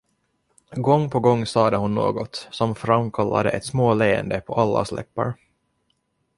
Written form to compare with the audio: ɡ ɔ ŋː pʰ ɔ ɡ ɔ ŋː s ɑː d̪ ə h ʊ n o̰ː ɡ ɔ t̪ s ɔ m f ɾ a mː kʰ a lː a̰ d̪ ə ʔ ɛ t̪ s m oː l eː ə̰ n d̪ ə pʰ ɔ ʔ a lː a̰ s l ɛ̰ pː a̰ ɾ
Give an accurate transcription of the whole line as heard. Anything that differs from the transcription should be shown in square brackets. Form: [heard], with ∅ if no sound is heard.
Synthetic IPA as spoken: ɡ ɔ ŋː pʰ ɔ ɡ ɔ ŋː s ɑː d̪ ə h ʊ [nː] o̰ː ɡ ɔ t̪ s ɔ m f ɾ a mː kʰ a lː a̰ d̪ ə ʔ ɛ t̪ s m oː l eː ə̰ n d̪ ə pʰ ɔ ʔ a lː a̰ s l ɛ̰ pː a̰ ɾ